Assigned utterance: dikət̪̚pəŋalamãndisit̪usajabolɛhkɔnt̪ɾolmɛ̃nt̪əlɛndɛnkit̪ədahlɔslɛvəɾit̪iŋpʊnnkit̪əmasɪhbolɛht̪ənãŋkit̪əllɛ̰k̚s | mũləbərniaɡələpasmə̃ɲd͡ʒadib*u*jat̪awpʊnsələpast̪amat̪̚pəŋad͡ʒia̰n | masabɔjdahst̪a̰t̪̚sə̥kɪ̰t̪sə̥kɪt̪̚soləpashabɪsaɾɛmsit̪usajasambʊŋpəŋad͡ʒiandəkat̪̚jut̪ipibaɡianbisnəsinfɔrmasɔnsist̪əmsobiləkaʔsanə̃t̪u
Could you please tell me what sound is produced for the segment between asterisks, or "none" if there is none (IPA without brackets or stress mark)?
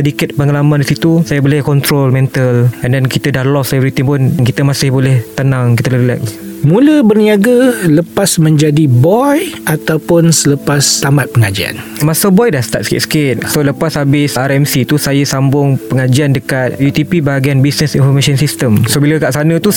ɔ